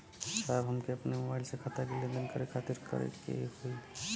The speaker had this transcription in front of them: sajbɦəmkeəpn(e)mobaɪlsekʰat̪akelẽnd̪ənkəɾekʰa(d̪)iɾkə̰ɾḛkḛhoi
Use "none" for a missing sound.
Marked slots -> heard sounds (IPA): e, t̪

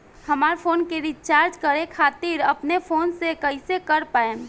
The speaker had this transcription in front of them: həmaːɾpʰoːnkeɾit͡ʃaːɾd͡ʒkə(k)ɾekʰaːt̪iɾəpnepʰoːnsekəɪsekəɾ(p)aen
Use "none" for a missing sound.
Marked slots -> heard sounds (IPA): none, p

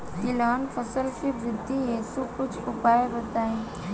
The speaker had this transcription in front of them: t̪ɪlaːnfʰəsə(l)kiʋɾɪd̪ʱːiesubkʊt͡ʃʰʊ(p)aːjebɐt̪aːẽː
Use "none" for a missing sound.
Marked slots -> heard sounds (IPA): l, p

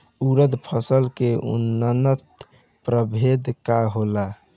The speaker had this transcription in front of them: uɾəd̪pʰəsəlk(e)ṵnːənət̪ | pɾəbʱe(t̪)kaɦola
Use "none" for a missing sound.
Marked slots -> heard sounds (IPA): e, d̪

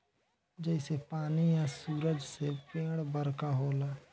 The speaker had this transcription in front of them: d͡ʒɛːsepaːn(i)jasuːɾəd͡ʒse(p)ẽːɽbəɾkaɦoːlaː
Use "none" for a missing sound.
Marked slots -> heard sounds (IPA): i, p

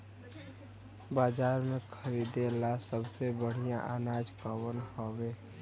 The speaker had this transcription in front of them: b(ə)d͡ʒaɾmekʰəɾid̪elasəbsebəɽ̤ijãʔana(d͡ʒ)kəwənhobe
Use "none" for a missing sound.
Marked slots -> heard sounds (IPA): a, d͡ʒ

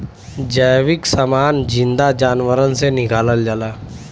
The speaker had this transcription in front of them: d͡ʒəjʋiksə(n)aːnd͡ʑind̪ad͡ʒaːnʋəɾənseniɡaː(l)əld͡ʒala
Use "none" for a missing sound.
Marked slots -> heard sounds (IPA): m, l

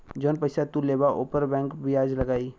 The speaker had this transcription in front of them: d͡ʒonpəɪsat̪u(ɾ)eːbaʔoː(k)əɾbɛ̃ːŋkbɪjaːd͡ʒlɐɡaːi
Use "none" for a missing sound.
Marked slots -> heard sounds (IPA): l, p

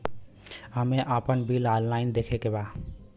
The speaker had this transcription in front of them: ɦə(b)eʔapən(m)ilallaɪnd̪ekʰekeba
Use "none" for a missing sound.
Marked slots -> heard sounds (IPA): m, b

